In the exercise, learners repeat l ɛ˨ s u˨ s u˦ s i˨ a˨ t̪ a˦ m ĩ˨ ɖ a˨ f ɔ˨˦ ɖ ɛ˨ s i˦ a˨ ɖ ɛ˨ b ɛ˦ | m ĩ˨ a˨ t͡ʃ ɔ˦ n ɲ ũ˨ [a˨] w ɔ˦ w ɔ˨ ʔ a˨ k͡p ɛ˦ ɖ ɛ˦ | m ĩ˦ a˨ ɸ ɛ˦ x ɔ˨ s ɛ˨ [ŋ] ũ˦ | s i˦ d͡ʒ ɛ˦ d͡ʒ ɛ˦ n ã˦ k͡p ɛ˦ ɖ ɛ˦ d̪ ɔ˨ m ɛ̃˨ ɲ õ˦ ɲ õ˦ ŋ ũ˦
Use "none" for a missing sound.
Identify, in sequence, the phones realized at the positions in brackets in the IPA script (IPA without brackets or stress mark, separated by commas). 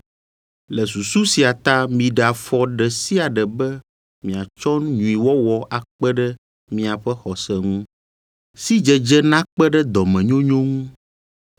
i˨, ŋ